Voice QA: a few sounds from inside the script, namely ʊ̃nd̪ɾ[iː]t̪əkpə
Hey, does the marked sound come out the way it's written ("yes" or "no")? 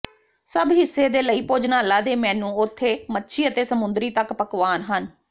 yes